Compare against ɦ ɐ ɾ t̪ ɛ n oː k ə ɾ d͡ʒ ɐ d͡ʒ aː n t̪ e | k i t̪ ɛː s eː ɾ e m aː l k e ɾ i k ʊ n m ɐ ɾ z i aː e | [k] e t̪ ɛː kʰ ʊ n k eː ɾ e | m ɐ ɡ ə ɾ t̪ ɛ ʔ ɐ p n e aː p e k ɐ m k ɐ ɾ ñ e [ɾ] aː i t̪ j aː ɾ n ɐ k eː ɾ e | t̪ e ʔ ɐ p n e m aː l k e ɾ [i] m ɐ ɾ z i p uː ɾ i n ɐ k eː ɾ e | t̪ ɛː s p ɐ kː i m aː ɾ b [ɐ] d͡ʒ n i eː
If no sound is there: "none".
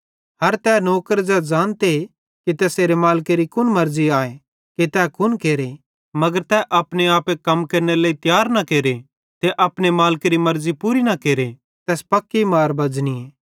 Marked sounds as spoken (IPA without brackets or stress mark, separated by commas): k, l, i, ɐ